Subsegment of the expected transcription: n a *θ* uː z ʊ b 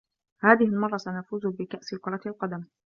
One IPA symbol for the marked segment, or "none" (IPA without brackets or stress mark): f